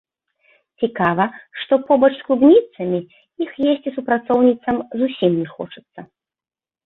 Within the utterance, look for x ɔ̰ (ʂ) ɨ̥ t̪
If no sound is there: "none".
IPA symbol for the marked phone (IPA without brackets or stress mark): t͡ʂ